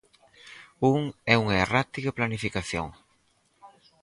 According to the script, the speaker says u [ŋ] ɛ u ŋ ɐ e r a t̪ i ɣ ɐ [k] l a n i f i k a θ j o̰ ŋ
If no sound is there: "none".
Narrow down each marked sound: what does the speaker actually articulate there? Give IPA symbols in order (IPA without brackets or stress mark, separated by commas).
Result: ŋ, p